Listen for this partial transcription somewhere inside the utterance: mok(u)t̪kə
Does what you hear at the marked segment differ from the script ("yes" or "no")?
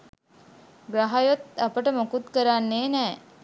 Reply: no